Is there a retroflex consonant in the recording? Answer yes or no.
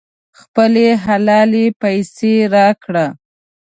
yes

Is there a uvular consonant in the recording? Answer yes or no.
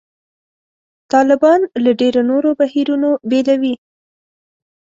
no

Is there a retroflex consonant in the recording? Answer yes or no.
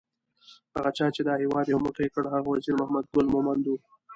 yes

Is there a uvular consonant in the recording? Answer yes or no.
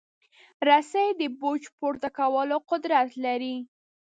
yes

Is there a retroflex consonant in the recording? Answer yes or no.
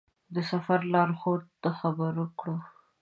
yes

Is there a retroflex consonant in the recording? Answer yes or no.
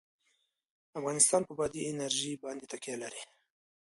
no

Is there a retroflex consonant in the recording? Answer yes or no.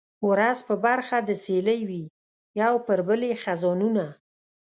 no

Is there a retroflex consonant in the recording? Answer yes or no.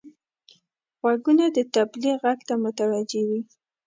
no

